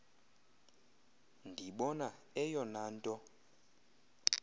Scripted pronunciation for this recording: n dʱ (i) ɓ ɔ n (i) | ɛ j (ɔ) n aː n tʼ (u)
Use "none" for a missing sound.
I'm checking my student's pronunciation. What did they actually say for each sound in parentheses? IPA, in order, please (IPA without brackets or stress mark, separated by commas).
i, a, ɔ, ɔ